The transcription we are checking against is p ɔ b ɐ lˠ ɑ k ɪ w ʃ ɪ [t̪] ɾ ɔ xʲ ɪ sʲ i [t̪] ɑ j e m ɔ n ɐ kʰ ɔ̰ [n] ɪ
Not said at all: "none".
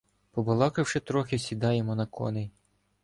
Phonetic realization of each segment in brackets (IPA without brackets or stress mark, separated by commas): t̪, d̪, n